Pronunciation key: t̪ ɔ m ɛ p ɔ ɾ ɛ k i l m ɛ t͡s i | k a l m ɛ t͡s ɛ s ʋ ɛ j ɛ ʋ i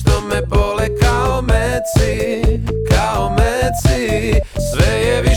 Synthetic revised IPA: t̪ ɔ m ɛ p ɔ l ɛ k a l m ɛ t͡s i | k a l m ɛ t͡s i s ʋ ɛ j ɛ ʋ i